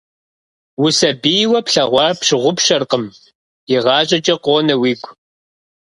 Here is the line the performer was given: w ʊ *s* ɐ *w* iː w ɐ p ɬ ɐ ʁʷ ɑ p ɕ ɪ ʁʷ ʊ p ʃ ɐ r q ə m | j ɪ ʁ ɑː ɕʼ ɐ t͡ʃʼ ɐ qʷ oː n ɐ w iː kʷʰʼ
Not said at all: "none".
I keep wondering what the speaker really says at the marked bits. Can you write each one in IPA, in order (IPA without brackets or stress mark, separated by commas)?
s, b